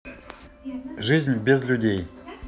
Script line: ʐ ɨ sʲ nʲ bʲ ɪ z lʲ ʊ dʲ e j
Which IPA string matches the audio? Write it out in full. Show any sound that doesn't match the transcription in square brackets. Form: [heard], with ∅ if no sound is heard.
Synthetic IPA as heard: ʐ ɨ [zʲ] nʲ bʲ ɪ z lʲ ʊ dʲ e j